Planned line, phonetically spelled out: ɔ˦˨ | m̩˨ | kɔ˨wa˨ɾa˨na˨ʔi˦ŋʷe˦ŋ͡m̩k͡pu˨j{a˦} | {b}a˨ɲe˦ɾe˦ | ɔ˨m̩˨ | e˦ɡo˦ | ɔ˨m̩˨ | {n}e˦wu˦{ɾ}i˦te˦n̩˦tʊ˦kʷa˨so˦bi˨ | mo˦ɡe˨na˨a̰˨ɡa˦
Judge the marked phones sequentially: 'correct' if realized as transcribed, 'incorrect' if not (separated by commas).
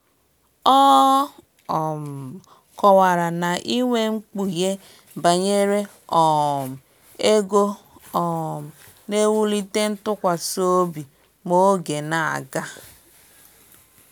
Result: incorrect, correct, correct, incorrect